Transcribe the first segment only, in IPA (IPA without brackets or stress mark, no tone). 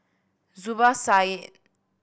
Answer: z